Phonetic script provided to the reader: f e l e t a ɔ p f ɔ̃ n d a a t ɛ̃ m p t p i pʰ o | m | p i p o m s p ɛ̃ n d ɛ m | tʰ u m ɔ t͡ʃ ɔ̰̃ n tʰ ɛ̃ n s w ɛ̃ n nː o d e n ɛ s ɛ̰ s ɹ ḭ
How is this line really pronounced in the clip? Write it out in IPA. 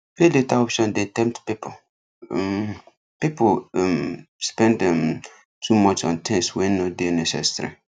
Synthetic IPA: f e l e t a ɔ p ʃ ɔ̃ n d e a t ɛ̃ m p t p i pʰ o | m | p i p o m s p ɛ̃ n d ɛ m | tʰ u m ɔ t͡ʃ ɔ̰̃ n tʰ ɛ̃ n s w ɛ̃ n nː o d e n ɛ s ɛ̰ s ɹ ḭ